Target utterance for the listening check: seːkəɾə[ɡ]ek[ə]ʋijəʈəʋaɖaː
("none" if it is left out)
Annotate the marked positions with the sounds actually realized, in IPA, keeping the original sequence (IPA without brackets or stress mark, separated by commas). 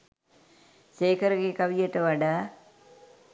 ɡ, a